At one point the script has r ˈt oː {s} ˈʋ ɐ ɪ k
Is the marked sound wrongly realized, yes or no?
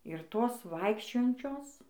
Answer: no